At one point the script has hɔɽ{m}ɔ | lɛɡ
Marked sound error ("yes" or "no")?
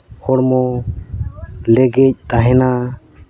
no